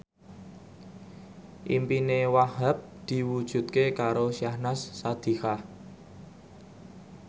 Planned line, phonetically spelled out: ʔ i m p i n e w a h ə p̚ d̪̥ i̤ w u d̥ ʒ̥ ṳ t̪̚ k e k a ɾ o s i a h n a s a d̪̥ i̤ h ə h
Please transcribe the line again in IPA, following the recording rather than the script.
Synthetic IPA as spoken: ʔ i m p i n e w a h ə p̚ d̪̥ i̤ w u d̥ ʒ̥ ṳ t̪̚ k e k a ɾ o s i a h n a sː a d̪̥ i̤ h a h

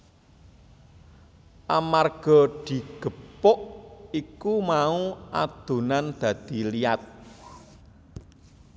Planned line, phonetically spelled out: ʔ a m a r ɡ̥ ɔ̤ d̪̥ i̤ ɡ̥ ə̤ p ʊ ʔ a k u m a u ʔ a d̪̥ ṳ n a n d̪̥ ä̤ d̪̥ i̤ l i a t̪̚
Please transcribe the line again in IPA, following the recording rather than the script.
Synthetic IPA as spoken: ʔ a m a r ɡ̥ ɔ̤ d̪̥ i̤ ɡ̥ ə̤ p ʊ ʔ i k u m a u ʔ a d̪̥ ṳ n a n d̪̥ ä̤ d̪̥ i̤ l i a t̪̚

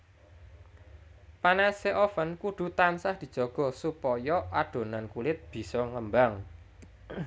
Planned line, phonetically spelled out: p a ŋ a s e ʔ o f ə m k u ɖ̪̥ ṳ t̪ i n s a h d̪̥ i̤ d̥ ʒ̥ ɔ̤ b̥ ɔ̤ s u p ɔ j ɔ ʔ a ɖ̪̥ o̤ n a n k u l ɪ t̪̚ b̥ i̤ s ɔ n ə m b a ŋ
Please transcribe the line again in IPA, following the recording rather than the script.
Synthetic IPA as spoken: p a n a s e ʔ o f ə n k u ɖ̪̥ ṳ t̪ a n s a h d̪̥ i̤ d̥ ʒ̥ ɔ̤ ɡ̥ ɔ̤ s u p ɔ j ɔ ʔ a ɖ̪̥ o̤ n a n k u l ɪ t̪̚ b̥ i̤ s ɔ ŋ ə m b a ŋ

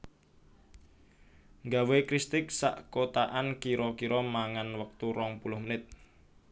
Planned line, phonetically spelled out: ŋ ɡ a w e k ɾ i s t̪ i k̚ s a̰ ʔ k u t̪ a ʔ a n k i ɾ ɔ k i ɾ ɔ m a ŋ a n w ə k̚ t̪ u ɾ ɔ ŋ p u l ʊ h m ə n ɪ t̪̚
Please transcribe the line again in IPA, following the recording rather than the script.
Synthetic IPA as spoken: ŋ ɡ a w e k ɾ i s t̪ ɪ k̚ s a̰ ʔ k o t̪ a ʔ a n k i ɾ ɔ k i ɾ ɔ m a ŋ a n w ə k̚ t̪ u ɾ ɔ ŋ p u l ʊ h m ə n ɪ t̪̚

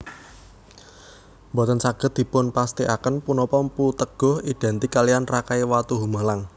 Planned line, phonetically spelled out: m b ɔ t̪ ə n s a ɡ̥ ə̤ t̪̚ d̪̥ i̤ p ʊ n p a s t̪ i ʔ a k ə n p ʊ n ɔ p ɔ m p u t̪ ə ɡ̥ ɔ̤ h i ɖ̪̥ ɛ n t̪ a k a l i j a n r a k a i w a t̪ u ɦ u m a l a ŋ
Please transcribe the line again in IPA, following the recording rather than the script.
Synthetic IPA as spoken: m b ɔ t̪ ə n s a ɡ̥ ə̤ t̪̚ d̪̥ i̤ p ʊ n p a s t̪ i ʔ a k ə n p u n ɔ p ɔ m p u t̪ ə ɡ̥ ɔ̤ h i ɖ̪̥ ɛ n t̪ i k a l i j a n r a k a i w a t̪ u ɦ u m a l a ŋ

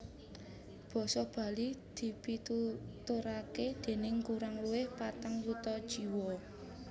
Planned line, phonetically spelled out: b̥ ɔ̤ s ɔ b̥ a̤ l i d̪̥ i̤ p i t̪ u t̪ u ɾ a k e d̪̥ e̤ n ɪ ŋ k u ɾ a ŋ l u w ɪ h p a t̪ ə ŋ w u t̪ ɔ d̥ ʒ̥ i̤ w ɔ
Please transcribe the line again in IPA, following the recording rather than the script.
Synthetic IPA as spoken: b̥ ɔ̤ s ɔ b̥ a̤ l i d̪̥ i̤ p i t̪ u t̪ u ɾ a k e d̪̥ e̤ n ɪ ŋ k u ɾ a ŋ l u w ɪ h p a t̪ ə ŋ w u t̪ ɔ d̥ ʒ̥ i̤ w ɔ

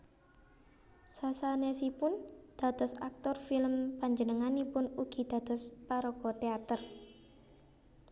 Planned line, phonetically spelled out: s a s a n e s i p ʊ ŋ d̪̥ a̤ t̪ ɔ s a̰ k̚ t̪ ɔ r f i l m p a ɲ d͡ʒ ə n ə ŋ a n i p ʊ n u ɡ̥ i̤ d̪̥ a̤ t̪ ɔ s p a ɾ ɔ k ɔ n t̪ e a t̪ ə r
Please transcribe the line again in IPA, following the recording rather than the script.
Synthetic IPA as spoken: s a s a n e s i p ʊ n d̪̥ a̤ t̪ ɔ s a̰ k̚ t̪ ɔ r f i l m p a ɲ d͡ʒ ə n ə ŋ a n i p ʊ n u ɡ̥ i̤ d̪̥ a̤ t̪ ɔ s p a ɾ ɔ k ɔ t̪ e a t̪ ə r

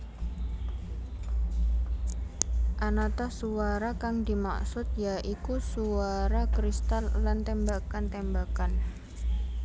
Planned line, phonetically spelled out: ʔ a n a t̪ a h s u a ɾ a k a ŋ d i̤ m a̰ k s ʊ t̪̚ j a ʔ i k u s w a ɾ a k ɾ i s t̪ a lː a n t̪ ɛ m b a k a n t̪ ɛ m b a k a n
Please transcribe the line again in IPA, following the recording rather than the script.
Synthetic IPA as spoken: ʔ a n a t̪ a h s u a ɾ a k a ŋ d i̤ m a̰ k s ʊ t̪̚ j a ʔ i k u s u a ɾ a k ɾ i s t̪ a lː a n t̪ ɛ m b a k a n t̪ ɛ m b a k a n

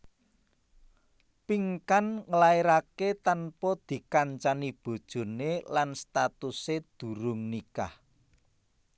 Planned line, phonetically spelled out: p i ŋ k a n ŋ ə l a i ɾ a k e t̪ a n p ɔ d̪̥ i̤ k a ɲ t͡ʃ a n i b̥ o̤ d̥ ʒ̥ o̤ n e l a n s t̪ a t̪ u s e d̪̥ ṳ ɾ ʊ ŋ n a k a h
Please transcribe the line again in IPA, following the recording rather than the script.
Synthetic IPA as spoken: p i ŋ k a n ŋ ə l a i ɾ a k e t̪ a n p ɔ d̪̥ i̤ k a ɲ t͡ʃ a n i b̥ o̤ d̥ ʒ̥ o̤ n e l a n s t̪ a t̪ u s e d̪̥ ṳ ɾ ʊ ŋ n i k a h

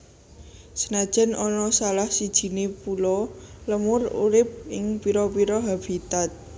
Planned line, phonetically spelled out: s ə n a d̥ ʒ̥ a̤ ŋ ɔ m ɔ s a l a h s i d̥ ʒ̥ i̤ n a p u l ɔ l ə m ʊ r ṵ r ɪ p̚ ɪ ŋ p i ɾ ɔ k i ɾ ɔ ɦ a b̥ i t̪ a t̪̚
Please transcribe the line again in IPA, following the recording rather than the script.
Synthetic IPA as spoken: s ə n a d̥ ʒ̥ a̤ n ɔ n ɔ s a l a h s i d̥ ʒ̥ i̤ n e p u l ɔ l ə m ʊ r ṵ ɾ ɪ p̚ ɪ ŋ p i ɾ ɔ p i ɾ ɔ ɦ a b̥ i t̪ a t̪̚

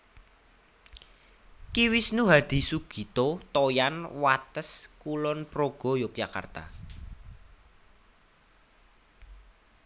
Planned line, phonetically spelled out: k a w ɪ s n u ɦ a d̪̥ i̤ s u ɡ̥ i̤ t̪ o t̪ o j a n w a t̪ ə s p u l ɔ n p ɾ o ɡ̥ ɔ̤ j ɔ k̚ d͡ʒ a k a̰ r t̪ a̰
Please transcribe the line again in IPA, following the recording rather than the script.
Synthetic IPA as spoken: k i w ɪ s n u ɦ a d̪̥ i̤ s u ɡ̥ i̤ t̪ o t̪ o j a n w a t̪ ə s k u l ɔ n p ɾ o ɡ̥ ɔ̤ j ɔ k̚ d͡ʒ a k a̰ r t̪ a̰

